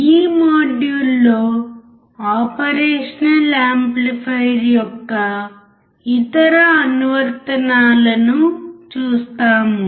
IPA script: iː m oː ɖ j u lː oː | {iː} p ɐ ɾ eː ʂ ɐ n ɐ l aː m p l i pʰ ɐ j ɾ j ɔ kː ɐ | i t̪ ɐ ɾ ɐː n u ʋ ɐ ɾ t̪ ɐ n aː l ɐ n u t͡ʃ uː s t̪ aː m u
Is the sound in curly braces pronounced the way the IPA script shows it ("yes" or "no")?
no